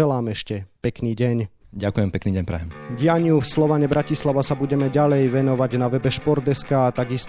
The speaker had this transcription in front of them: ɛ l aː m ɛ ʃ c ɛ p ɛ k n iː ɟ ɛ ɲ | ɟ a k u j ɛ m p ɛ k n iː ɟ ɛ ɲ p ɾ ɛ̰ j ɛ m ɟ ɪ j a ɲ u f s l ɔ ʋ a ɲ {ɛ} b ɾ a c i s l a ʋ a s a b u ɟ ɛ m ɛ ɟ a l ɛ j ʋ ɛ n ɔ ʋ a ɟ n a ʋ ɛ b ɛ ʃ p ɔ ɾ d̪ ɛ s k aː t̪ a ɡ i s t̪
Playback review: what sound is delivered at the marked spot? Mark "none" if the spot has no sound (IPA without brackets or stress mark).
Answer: ɛ